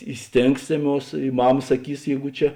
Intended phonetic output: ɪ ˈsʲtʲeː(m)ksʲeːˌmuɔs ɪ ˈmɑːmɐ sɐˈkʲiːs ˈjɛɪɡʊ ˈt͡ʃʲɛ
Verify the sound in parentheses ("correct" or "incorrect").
incorrect